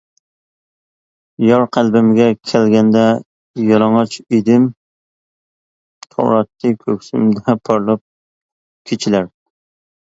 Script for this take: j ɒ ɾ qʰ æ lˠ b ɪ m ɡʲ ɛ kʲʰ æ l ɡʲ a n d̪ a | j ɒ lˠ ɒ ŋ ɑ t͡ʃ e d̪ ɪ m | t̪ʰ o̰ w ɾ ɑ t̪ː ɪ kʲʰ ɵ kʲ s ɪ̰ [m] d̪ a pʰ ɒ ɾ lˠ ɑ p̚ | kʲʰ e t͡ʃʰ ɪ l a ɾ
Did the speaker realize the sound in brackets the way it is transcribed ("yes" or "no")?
yes